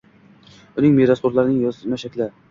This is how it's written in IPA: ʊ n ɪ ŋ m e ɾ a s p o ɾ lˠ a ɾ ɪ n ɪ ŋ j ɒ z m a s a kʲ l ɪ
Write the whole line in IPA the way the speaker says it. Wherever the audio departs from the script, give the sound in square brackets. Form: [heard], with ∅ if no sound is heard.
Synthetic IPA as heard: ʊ n ɪ ŋ m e ɾ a s p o ɾ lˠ a ɾ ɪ n ɪ ŋ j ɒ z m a [ʃ] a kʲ l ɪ